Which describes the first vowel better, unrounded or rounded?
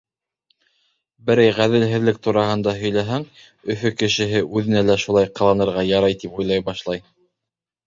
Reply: unrounded